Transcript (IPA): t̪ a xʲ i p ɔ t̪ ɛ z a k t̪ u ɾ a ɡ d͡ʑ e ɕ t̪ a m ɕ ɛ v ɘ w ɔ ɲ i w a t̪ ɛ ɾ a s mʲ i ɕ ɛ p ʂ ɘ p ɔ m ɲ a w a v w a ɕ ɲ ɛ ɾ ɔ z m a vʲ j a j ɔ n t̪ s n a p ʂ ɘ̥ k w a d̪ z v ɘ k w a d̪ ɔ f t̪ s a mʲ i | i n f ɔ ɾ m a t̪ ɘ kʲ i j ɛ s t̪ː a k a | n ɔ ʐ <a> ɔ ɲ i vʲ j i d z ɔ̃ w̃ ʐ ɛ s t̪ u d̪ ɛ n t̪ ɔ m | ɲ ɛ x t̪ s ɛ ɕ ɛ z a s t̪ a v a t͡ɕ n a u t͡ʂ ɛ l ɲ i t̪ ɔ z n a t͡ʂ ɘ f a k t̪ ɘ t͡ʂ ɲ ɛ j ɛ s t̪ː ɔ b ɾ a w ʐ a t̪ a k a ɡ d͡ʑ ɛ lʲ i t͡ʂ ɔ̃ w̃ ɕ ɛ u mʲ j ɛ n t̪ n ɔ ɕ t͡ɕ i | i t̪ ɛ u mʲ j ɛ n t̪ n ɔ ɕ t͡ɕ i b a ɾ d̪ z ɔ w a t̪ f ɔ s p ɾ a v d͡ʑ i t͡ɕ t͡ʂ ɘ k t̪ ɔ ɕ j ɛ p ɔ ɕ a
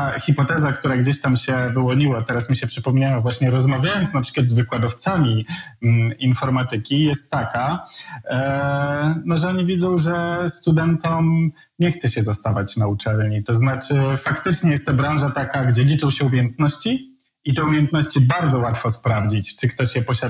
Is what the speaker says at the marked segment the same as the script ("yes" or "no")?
no